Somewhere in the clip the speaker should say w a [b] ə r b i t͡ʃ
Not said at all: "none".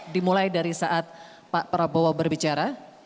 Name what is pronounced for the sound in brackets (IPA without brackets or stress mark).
b